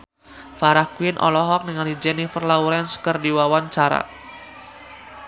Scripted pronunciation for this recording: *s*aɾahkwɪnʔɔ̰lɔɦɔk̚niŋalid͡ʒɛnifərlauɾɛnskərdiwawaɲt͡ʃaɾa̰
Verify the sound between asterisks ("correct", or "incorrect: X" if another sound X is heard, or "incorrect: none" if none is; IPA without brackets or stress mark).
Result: incorrect: f